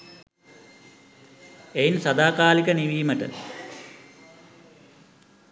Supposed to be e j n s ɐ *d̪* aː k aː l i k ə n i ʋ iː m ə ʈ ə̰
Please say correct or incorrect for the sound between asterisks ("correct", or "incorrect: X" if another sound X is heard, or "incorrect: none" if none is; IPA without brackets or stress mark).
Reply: correct